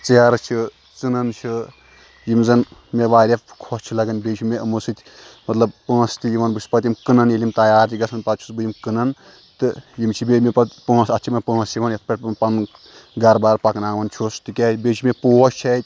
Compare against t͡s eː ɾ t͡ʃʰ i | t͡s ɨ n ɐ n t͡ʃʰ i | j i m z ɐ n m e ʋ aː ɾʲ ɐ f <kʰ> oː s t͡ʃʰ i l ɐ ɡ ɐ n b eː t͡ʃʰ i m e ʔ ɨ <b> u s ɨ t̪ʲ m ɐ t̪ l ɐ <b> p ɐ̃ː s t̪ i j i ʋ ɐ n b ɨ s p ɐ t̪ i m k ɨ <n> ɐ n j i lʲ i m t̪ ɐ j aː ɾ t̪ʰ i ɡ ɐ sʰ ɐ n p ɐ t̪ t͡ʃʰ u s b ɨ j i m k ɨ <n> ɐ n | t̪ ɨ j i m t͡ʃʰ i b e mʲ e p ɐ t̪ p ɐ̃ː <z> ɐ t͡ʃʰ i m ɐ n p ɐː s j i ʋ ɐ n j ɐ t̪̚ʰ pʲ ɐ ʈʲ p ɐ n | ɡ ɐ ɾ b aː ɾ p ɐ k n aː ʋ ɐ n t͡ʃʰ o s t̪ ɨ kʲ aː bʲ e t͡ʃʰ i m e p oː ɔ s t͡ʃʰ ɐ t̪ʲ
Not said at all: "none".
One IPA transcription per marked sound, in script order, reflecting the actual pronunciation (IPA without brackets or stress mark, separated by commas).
kʰ, m, b, n, n, s